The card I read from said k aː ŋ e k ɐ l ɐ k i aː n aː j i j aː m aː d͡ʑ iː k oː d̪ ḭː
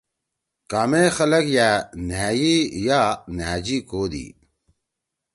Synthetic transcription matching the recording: k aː m e x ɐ l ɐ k j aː n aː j i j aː n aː d͡ʑ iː k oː d̪ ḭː